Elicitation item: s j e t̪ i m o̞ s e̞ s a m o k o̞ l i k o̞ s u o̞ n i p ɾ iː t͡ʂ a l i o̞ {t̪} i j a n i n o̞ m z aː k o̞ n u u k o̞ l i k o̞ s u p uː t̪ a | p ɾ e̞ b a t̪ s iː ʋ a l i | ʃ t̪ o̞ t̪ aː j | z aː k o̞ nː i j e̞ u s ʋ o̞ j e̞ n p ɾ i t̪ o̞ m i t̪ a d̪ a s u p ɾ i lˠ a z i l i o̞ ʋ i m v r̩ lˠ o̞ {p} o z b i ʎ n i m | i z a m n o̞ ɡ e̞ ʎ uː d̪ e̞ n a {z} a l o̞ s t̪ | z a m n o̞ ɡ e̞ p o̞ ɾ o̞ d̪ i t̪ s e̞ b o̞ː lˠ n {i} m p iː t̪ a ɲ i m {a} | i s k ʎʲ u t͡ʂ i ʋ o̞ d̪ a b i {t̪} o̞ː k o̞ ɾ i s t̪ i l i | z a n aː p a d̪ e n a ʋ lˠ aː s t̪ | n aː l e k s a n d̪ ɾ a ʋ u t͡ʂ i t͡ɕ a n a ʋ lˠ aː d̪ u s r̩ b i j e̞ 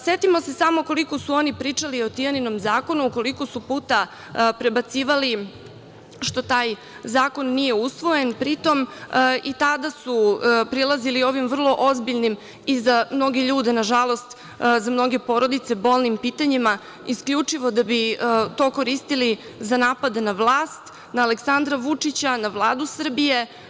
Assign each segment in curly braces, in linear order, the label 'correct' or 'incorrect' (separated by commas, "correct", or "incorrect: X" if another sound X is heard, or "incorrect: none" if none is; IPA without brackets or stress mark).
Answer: correct, incorrect: ʔ, incorrect: ʒ, correct, correct, correct